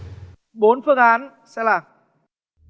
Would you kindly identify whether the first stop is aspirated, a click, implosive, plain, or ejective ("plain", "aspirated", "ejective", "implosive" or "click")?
implosive